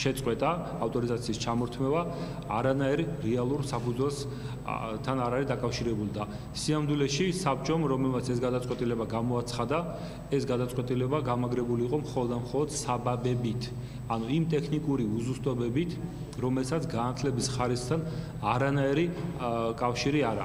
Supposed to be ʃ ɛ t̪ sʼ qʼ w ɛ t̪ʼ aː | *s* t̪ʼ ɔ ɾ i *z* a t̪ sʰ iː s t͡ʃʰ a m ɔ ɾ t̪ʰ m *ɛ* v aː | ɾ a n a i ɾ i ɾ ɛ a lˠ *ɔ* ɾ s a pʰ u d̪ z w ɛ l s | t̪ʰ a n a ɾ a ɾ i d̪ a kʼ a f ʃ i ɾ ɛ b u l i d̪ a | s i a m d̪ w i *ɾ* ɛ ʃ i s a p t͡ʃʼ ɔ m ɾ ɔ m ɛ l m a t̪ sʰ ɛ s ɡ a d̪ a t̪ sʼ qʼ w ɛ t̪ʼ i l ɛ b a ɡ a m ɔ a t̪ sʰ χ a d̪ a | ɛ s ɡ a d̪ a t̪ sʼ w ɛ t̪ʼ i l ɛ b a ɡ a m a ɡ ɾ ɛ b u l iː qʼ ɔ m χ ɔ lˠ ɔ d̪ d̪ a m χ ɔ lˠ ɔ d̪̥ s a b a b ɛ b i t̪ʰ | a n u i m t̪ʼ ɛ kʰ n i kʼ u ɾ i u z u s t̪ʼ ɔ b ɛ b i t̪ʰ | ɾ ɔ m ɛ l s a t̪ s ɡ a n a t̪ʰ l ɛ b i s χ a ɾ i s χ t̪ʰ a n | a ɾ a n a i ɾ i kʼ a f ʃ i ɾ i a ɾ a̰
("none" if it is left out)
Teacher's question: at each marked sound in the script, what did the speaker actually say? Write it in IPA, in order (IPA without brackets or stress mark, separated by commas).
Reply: f, z, ɛ, u, l